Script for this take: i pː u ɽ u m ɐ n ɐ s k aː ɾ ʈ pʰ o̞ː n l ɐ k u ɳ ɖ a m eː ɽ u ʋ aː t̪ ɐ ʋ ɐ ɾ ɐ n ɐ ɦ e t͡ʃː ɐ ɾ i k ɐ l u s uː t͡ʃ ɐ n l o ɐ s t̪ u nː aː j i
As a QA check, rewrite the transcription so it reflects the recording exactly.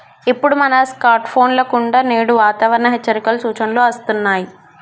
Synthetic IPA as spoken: i pː u ɽ u m ɐ n ɐ s k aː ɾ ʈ pʰ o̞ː n l ɐ k u ɳ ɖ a n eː ɽ u ʋ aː t̪ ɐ ʋ ɐ ɾ ɐ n ɐ ɦ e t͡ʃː ɐ ɾ i k ɐ l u s uː t͡ʃ ɐ n l o ɐ s t̪ u nː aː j i